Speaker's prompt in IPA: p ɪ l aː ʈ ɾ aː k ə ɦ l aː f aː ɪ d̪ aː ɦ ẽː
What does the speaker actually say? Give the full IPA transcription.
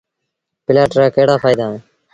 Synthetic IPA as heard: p ɪ l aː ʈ ɾ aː k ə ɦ ɽ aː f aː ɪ d̪ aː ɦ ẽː